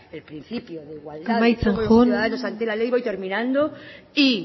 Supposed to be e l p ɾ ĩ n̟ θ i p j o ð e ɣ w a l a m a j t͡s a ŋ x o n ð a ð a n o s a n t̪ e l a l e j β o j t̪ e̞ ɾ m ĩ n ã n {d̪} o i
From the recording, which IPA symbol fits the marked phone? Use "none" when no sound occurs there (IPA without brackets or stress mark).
d̪